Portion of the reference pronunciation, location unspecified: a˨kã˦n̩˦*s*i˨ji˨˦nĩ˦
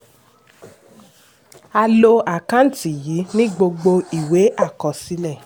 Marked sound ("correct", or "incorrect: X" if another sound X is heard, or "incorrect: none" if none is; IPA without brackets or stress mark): incorrect: t